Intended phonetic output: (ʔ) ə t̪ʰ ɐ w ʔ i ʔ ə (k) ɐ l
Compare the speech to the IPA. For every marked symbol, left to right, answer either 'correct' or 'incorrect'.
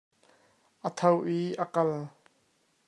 correct, correct

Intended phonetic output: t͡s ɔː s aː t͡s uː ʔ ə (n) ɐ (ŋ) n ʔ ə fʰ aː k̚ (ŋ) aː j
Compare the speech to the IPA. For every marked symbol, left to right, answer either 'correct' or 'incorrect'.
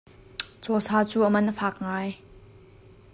incorrect: m, incorrect: none, correct

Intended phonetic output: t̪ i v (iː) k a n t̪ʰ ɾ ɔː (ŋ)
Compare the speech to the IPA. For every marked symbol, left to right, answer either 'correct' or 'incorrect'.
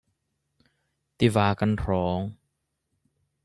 incorrect: aː, correct

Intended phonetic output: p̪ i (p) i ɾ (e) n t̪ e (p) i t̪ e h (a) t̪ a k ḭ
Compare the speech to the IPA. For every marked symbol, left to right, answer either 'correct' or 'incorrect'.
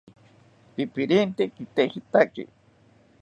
correct, incorrect: i, incorrect: k, incorrect: i

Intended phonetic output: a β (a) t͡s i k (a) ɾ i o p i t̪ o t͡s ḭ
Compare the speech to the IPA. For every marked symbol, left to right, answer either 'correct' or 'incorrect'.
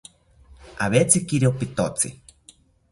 incorrect: e, incorrect: i

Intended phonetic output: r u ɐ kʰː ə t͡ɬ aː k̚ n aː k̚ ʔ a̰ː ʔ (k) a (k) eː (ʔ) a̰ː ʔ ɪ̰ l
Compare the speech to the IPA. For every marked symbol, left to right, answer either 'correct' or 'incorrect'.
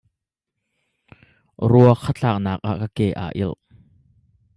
correct, correct, correct

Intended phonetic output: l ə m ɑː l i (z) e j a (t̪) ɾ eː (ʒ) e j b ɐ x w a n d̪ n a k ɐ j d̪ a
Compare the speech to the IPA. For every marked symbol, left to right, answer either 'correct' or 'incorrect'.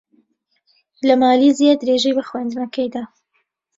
correct, incorrect: d̪, correct

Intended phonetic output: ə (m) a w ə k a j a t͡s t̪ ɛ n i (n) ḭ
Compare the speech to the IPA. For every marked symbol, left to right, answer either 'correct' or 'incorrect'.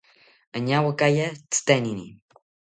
incorrect: ɲ, correct

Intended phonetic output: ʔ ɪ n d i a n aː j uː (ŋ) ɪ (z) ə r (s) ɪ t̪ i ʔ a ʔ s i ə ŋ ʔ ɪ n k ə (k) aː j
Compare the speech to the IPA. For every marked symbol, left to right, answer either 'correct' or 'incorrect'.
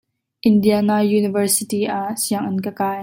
incorrect: n, incorrect: v, correct, correct

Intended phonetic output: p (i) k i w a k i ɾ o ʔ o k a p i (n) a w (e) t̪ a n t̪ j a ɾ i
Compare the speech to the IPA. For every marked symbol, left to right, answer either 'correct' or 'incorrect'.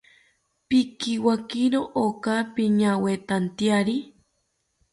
correct, incorrect: ɲ, correct

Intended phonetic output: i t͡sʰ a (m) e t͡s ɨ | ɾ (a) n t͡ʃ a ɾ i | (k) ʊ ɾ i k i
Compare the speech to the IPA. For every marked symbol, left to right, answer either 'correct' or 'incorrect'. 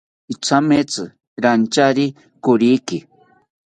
correct, correct, correct

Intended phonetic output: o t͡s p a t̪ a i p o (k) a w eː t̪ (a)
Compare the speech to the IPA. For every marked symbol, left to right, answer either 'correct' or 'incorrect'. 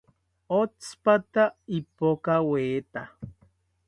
correct, correct

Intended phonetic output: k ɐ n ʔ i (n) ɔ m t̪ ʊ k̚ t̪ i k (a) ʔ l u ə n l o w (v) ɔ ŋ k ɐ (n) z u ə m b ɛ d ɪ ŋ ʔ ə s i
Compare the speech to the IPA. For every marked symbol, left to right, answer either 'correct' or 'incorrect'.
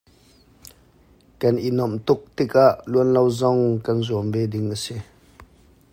correct, correct, incorrect: z, correct

